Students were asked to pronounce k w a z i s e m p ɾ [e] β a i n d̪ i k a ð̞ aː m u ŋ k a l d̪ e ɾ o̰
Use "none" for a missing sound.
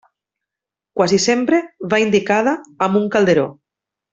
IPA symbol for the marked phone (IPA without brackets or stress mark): e